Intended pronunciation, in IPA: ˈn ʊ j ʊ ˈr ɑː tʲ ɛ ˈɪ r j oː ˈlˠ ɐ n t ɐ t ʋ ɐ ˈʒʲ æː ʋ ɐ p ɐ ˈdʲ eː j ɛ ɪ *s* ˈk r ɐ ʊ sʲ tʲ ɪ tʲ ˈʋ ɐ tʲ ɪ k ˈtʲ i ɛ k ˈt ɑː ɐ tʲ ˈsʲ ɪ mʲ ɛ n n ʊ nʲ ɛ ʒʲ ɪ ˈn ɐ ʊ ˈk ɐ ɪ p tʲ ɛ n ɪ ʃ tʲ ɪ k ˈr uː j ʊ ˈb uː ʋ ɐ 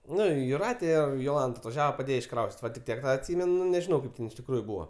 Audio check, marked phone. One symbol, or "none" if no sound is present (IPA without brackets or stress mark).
ʃ